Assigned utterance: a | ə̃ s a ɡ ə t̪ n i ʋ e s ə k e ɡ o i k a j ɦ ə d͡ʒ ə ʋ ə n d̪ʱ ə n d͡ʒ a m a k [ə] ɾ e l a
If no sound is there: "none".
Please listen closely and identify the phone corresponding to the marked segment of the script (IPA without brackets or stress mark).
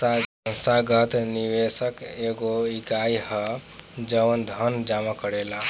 ə